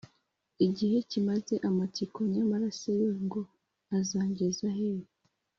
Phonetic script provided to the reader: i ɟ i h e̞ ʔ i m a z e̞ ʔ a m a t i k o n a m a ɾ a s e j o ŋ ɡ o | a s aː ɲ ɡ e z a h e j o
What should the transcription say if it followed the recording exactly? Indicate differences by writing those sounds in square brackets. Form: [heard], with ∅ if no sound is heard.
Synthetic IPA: i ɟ i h e̞ [c] i m a z e̞ ʔ a m a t i k o [ɲ] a m a ɾ a s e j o ŋ ɡ o | a [z] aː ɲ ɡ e z a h e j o